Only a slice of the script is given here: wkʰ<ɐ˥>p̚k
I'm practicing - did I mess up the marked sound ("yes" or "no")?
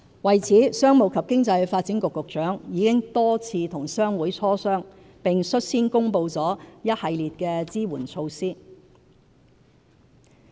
yes